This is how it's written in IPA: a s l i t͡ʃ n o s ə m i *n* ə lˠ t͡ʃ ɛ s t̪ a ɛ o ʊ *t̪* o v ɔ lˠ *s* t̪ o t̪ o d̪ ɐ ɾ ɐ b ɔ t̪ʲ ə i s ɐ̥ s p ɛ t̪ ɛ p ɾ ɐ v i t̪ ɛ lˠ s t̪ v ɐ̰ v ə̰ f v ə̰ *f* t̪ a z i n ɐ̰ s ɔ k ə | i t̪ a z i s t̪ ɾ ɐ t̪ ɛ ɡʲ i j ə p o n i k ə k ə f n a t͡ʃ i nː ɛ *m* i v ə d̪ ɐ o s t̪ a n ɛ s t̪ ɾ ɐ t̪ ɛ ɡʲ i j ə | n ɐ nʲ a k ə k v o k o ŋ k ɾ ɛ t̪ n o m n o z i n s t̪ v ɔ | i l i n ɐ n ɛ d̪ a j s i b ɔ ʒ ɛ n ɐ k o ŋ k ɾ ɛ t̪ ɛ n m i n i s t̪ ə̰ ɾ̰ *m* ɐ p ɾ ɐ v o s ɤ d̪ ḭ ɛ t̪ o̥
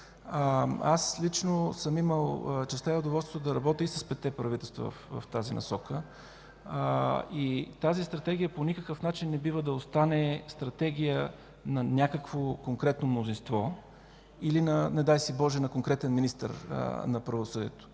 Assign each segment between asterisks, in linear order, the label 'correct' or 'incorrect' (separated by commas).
incorrect, incorrect, correct, correct, incorrect, incorrect